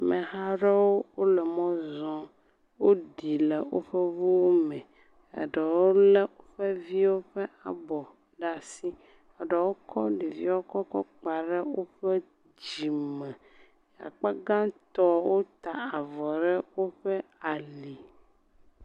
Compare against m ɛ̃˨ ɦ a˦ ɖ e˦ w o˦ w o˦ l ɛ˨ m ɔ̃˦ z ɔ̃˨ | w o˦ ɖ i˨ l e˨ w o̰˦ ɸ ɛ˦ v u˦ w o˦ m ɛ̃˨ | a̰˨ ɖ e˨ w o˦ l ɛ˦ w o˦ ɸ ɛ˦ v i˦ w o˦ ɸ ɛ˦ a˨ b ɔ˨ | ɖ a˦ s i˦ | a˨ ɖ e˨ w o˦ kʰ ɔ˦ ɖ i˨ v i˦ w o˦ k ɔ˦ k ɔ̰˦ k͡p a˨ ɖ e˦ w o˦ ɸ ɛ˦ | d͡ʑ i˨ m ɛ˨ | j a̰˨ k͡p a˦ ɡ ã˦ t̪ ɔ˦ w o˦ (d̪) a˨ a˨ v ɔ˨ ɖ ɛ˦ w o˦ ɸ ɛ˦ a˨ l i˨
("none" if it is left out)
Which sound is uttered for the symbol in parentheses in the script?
t̪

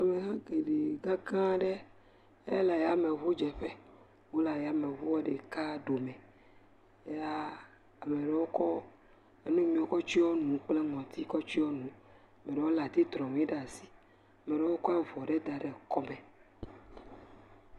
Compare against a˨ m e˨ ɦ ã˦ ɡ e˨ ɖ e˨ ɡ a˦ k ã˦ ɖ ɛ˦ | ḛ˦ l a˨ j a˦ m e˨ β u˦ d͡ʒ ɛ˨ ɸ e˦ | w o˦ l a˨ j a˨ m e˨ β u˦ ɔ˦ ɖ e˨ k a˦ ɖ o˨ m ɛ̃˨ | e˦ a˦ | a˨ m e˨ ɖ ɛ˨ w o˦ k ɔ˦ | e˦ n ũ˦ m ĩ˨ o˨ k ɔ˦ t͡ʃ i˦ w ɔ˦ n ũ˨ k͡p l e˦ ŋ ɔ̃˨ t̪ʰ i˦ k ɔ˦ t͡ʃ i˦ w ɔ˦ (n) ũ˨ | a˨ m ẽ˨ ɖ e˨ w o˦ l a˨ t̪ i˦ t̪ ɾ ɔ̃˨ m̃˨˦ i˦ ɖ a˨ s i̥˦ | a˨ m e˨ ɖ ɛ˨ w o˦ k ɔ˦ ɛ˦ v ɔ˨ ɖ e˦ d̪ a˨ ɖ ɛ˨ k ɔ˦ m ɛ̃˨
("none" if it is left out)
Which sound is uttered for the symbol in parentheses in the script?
n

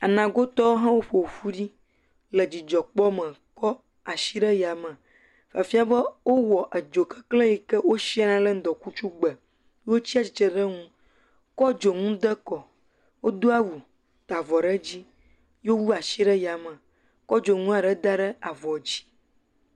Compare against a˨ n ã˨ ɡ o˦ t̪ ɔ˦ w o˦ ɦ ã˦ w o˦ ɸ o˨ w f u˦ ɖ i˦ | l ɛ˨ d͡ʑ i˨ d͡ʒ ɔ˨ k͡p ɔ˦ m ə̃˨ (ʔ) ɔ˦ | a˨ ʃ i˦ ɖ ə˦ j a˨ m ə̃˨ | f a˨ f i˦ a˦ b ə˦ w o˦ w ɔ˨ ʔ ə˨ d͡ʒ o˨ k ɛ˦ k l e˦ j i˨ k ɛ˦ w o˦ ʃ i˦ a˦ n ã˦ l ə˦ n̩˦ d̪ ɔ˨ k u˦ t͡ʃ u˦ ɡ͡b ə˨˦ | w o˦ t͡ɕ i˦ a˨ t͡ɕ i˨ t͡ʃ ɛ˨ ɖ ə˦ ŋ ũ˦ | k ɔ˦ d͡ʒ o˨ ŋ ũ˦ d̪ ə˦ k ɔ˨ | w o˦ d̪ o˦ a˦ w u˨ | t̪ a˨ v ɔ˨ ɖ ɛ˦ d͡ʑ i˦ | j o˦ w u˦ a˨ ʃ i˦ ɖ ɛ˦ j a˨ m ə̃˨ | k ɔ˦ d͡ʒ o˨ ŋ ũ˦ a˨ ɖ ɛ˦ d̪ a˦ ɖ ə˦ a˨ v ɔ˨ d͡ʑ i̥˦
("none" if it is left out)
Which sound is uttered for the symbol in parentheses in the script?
k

